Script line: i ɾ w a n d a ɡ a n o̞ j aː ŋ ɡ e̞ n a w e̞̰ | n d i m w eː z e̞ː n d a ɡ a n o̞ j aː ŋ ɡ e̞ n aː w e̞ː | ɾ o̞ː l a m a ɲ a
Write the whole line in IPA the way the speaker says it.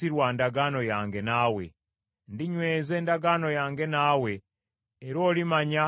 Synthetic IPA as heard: i ɾ w a n d a ɡ a n o̞ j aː ŋ ɡ e̞ n a w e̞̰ | n d i ɲ w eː z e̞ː n d a ɡ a n o̞ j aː ŋ ɡ e̞ n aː w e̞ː | ɾ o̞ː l i m a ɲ a